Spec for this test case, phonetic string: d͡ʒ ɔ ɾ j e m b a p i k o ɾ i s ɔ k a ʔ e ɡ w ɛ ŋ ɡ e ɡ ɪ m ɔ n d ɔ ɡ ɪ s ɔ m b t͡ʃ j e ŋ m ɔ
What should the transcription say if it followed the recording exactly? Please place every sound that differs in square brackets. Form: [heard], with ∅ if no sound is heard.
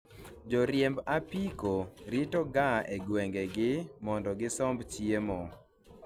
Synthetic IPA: d͡ʒ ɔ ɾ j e m b a p i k o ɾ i [t] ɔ [ɡ] a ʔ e ɡ w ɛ ŋ ɡ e ɡ ɪ m ɔ n d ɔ ɡ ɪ s ɔ m b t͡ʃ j e [∅] m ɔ